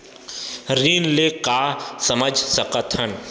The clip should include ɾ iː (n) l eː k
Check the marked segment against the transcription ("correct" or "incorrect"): correct